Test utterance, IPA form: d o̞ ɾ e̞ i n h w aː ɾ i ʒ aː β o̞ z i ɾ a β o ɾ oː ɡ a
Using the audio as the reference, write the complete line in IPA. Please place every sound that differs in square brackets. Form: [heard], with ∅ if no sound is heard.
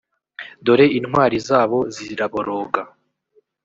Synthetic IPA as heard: d o̞ ɾ e̞ i n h w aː ɾ i [z] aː β o̞ z i ɾ a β o ɾ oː ɡ a